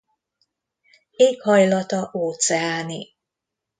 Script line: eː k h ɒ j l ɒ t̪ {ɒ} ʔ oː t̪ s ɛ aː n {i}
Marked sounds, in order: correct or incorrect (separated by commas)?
correct, correct